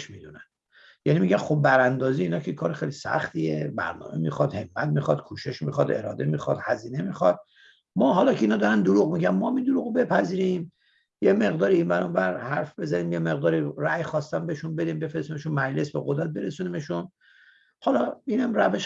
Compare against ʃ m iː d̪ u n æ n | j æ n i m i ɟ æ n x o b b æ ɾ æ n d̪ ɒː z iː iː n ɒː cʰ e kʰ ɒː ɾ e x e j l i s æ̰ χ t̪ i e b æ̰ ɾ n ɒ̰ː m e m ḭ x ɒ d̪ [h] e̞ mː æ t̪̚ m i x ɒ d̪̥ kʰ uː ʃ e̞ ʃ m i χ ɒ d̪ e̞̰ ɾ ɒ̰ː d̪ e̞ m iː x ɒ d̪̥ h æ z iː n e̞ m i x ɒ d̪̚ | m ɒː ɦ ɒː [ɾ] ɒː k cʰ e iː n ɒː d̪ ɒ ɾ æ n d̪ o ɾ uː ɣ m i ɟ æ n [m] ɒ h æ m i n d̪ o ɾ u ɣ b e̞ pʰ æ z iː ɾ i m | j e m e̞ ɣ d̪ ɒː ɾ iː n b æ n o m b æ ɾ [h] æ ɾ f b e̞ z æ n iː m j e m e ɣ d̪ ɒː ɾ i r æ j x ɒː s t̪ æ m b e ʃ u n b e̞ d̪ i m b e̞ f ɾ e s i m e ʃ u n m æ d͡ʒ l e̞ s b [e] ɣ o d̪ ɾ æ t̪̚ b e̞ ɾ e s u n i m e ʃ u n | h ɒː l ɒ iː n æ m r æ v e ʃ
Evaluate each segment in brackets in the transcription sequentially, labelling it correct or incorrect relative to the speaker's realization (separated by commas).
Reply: correct, incorrect, correct, correct, correct